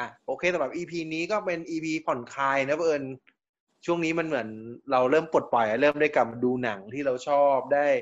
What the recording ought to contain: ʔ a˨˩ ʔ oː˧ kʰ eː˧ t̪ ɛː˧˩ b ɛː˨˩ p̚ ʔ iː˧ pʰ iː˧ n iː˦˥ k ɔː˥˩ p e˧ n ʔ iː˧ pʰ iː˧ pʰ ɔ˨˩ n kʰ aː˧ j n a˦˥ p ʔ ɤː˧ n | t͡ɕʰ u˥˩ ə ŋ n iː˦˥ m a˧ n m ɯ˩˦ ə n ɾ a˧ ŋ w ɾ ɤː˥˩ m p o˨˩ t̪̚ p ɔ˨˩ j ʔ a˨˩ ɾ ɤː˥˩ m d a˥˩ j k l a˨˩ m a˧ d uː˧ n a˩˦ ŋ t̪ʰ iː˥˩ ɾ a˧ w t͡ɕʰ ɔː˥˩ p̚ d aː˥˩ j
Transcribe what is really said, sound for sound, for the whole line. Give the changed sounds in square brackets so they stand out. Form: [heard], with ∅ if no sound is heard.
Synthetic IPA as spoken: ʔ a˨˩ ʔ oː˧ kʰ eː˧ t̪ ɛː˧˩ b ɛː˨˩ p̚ ʔ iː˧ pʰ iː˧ n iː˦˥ k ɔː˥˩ p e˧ n ʔ iː˧ pʰ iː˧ pʰ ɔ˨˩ n kʰ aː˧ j n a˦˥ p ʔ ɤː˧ n | t͡ɕʰ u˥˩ ə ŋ n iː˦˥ m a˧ n m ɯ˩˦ ə n ɾ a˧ [∅] w ɾ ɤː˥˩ m p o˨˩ t̪̚ p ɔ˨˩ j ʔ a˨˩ ɾ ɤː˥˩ m d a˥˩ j k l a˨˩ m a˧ d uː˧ n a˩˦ ŋ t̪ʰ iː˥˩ ɾ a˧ w t͡ɕʰ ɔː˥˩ p̚ d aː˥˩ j